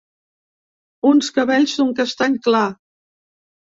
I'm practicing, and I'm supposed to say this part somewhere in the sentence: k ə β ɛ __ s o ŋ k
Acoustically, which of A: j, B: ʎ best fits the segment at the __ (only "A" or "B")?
B